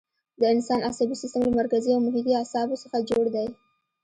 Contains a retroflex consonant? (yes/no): yes